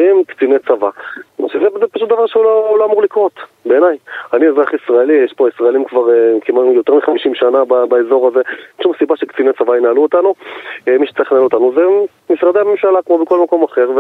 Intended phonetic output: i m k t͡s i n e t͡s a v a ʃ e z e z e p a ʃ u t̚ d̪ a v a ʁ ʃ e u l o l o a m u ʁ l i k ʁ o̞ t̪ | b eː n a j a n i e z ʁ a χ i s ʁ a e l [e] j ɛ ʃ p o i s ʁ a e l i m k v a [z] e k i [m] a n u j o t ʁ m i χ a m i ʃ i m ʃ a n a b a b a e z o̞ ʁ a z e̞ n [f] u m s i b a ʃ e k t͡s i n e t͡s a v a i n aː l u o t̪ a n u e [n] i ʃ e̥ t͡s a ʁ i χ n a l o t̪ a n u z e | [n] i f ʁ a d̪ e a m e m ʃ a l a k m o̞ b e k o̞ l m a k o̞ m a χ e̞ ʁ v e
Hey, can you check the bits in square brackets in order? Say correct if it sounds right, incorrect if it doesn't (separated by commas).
incorrect, incorrect, correct, incorrect, incorrect, incorrect